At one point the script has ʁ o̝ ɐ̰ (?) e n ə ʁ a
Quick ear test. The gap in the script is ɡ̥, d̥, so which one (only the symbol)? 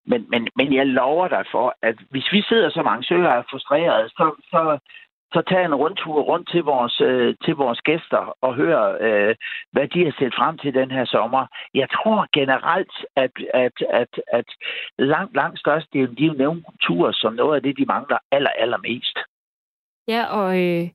ɡ̥